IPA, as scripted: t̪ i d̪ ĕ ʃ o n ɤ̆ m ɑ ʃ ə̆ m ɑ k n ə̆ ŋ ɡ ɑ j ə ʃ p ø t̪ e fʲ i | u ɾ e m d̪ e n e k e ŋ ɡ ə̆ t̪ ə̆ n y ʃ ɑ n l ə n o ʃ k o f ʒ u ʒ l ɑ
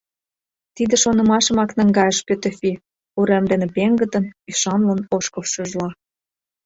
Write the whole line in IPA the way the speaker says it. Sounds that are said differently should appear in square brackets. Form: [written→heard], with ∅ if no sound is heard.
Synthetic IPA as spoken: t̪ i d̪ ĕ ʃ o n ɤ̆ m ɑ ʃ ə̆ m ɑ k n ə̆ ŋ ɡ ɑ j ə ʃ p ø t̪ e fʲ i | u ɾ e m d̪ e n e [k→p] e ŋ ɡ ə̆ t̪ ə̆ n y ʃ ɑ n l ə n o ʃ k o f [ʒ→ʃ] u ʒ l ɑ